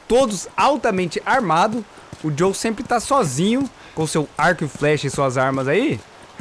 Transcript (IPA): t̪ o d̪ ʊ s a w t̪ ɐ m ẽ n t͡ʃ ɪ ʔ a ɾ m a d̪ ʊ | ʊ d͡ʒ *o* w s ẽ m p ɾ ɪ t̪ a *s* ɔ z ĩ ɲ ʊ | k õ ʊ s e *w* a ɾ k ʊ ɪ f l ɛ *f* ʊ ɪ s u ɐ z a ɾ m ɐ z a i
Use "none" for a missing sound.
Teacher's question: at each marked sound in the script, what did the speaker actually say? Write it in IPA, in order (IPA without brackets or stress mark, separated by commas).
o, s, w, ʃ